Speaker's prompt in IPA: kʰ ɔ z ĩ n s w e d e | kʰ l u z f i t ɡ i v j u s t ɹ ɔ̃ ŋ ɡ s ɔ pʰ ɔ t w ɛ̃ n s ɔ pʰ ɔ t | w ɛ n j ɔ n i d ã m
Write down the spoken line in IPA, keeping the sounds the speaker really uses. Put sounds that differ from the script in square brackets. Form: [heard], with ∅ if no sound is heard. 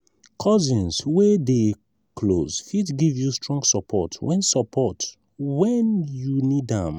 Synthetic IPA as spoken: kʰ ɔ z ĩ n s w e d e | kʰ l [o] z f i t ɡ i v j u s t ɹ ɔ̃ ŋ ɡ s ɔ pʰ ɔ t w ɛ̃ n s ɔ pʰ ɔ t | w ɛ n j [u] n i d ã m